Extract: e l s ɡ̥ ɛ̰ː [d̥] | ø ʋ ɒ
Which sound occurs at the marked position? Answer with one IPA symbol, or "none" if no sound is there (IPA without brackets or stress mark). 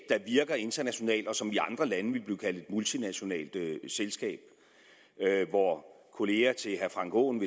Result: b̥